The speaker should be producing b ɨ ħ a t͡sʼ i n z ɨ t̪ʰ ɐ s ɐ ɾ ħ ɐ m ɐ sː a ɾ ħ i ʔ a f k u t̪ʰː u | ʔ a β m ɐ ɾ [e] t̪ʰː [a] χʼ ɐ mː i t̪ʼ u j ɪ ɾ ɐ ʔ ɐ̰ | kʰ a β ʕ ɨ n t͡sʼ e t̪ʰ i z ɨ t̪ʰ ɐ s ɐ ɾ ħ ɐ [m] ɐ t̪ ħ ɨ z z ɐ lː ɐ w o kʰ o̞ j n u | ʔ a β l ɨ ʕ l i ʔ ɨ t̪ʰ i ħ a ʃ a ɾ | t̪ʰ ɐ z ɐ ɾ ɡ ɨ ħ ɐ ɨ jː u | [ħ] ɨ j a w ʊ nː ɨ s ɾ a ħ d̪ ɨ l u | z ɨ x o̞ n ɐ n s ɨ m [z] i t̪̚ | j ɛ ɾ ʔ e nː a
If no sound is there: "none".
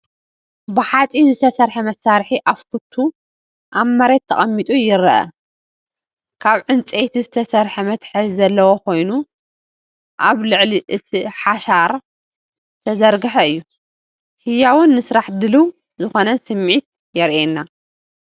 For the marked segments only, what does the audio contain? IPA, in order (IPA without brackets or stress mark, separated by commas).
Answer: e, ɐ, m, h, ʕ